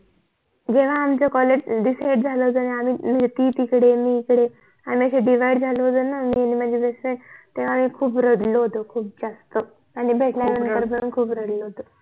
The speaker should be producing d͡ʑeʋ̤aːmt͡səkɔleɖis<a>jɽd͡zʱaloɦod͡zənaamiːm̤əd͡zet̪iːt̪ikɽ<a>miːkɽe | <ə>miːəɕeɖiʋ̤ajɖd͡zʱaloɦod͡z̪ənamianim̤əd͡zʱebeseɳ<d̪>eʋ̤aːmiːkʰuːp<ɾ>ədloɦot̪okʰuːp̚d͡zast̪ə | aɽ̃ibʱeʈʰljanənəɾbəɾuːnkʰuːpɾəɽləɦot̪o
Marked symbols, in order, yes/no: yes, no, no, no, yes

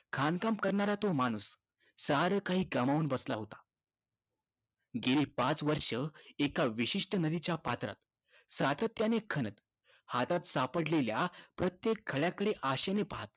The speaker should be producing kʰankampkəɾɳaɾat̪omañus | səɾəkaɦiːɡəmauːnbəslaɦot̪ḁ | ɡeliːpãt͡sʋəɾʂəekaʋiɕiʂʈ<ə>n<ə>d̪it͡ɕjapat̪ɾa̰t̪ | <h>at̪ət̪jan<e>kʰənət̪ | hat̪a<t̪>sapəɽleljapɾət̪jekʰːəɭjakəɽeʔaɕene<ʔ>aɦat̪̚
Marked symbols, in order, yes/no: yes, yes, no, yes, yes, no

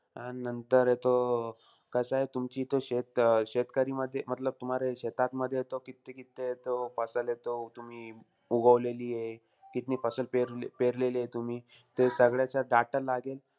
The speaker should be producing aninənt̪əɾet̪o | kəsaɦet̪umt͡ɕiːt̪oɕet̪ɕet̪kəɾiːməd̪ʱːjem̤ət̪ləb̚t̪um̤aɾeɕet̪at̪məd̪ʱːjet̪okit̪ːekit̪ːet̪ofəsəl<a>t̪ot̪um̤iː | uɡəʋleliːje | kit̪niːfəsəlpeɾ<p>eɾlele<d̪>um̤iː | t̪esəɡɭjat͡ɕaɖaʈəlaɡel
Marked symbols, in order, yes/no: no, yes, no

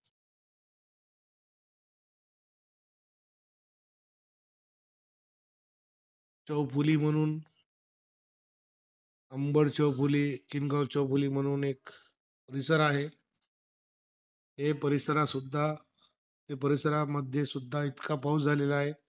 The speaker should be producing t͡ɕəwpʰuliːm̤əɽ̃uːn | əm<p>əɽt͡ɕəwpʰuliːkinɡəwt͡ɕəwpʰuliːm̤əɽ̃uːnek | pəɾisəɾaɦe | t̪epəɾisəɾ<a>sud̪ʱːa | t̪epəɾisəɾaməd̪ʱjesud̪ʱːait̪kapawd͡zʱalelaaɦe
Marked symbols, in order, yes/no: no, yes

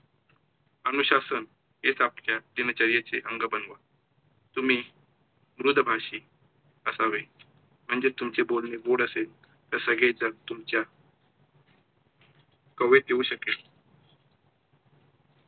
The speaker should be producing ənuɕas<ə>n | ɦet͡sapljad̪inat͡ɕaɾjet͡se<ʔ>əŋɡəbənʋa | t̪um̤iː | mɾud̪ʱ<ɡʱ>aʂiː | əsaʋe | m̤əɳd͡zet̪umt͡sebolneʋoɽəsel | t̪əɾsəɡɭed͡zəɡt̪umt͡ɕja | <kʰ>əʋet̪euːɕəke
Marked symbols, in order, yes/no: yes, yes, no, no

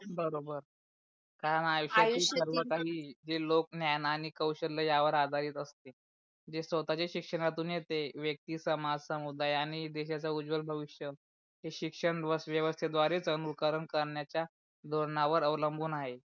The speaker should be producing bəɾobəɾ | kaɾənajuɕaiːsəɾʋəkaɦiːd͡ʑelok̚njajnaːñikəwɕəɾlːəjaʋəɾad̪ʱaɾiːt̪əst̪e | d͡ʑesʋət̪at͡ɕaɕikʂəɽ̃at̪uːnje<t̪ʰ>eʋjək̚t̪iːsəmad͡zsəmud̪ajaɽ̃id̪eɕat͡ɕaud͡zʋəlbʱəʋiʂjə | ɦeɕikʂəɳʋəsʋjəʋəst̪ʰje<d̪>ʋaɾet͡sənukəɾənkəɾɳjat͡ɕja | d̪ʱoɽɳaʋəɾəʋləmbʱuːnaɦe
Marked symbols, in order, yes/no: no, yes

